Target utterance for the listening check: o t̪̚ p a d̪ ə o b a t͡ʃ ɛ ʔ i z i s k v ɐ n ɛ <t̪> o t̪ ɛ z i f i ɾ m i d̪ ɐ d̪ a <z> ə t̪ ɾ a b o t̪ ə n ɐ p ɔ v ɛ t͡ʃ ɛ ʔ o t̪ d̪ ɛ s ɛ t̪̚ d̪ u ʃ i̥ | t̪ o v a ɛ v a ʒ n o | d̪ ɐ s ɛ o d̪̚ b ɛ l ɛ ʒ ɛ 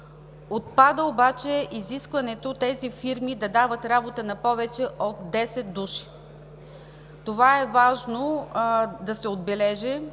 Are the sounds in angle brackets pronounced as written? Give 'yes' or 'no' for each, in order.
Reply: yes, no

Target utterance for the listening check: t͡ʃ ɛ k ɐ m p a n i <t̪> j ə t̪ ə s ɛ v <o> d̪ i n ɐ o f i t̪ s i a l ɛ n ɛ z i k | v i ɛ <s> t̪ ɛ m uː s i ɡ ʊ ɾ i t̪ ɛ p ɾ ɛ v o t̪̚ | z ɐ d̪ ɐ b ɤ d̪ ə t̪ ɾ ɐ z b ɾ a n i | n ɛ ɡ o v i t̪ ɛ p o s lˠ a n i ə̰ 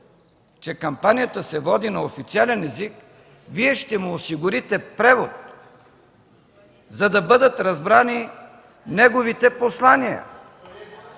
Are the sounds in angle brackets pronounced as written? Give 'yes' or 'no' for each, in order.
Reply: no, no, no

